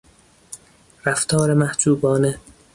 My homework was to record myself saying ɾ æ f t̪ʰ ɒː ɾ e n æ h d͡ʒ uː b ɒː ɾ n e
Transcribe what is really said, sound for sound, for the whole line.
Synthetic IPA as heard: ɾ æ f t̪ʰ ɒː ɾ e m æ h d͡ʒ uː b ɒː n e